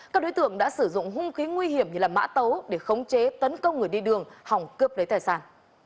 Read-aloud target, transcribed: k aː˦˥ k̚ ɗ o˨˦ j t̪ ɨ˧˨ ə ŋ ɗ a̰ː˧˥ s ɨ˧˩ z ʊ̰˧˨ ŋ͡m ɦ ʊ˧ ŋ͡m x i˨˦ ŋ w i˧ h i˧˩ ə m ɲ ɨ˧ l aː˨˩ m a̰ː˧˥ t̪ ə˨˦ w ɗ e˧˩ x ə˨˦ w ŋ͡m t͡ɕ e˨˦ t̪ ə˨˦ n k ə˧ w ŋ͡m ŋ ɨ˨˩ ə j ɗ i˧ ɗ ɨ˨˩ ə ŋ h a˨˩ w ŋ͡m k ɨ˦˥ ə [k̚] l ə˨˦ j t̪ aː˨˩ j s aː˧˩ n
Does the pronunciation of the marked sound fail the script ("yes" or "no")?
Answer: yes